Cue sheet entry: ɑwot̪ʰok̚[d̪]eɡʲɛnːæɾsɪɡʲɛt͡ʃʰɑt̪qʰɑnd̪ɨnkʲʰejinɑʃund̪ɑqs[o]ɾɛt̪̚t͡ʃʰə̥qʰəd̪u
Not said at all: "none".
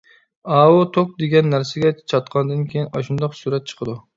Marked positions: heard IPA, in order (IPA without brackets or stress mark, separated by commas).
d̪, u